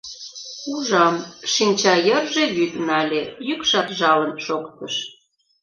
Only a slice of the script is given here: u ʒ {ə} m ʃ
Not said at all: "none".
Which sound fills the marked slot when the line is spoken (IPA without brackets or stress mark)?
ɑ